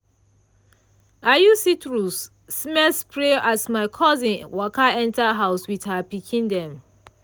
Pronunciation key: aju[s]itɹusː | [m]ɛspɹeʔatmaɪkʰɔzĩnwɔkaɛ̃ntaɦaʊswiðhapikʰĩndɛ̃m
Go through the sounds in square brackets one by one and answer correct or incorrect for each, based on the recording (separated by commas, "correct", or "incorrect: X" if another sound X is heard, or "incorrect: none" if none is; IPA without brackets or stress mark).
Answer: correct, correct